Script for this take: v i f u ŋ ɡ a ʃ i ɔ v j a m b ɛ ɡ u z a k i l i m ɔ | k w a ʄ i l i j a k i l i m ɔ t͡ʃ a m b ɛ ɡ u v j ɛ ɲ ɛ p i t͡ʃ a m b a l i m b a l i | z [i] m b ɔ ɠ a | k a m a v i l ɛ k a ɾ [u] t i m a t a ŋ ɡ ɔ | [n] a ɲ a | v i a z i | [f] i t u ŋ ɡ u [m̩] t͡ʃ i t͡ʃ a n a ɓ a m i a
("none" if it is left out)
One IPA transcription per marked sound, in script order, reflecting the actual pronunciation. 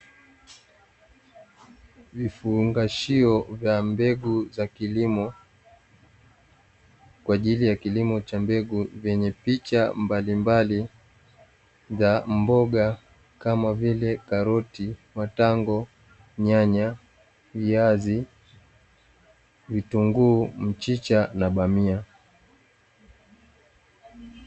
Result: a, ɔ, ɲ, v, m̩

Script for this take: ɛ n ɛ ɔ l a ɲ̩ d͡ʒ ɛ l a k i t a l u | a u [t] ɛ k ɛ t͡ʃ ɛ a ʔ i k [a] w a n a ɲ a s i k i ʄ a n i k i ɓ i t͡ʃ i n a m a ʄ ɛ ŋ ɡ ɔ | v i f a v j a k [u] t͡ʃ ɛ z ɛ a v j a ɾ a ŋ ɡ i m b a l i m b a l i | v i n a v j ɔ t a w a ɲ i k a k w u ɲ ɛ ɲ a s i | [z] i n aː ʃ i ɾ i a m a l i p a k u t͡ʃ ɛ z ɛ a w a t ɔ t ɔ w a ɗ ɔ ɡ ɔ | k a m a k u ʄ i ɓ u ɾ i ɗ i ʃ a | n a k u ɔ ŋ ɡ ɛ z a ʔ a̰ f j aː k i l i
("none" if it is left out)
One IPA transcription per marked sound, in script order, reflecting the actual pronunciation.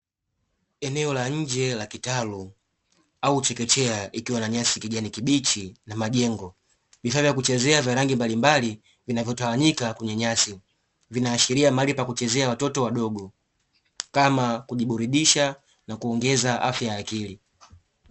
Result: t͡ʃ, i, u, v

